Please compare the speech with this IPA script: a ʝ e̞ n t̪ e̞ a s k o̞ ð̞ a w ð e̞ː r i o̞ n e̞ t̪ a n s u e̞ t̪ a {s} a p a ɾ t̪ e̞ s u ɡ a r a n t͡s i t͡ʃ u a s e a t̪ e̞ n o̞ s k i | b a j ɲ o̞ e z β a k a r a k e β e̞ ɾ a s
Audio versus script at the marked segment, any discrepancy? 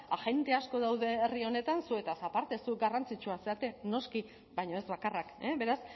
no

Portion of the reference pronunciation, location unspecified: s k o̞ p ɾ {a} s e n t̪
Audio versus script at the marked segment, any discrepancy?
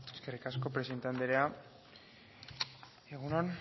yes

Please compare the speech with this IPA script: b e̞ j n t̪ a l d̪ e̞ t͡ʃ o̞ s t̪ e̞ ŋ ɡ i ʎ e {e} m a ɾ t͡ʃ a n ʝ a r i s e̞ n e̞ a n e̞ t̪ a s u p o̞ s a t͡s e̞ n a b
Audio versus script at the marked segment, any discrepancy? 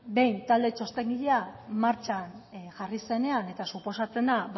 yes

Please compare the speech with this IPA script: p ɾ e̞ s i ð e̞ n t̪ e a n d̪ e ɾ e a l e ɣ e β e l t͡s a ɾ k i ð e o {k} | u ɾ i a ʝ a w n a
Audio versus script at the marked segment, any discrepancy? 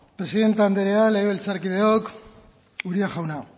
no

